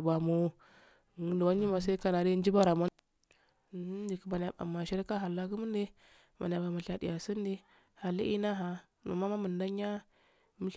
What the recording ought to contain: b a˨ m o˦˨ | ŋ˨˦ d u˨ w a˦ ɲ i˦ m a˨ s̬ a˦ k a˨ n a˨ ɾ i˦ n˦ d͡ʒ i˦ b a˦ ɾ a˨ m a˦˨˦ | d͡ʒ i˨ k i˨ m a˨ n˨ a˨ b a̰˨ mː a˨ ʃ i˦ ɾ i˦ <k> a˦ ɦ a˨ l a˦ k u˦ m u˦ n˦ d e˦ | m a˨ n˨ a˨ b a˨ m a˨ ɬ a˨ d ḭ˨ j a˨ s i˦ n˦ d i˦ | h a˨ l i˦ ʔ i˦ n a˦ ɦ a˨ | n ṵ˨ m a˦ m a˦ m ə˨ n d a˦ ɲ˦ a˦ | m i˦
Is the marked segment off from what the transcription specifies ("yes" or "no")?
no